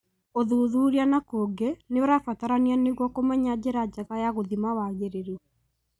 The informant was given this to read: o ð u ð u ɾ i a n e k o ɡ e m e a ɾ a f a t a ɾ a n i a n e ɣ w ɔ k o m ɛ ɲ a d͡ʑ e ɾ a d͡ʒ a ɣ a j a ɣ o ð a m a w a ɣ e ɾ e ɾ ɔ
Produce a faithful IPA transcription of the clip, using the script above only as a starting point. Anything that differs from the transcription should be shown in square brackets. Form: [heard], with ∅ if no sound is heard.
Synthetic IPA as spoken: o ð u ð u ɾ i a n [a] k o ɡ e [n] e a ɾ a f a t a ɾ a n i a n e ɣ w ɔ k o m ɛ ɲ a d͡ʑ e ɾ a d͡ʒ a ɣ a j a ɣ o ð [i] m a w a ɣ e ɾ e ɾ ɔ